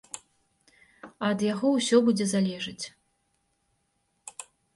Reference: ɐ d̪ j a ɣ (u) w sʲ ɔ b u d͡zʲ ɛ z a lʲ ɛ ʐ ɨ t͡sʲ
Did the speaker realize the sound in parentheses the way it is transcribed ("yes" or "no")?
no